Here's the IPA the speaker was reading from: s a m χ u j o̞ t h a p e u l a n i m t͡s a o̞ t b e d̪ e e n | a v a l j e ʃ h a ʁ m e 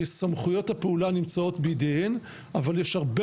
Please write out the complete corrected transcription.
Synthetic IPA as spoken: s a m χ u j o̞ t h a p e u l a n i m t͡s a o̞ t b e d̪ e e n | a v a l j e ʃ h a ʁ b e

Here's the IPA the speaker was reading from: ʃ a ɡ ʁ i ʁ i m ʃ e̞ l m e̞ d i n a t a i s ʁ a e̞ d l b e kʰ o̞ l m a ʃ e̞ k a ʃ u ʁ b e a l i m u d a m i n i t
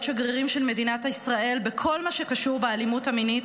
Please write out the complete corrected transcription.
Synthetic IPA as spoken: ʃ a ɡ ʁ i ʁ i m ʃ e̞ l m e̞ d i n a t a i s ʁ a e̞ l b e kʰ o̞ l m a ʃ e̞ k a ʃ u ʁ b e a l i m u t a m i n i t

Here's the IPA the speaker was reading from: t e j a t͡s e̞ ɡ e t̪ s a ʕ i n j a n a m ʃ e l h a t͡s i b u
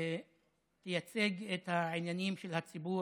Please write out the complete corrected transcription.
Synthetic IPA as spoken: t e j a t͡s e̞ ɡ e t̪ h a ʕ i n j a n i m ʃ e l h a t͡s i b u

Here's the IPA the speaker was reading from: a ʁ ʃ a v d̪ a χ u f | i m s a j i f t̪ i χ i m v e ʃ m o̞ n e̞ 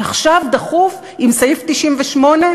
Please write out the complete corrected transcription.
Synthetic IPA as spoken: a χ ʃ a v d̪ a χ u f | i m s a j i f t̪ i ʃ i m v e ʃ m o̞ n e̞

